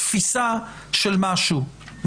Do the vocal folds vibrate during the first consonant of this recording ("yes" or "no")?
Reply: no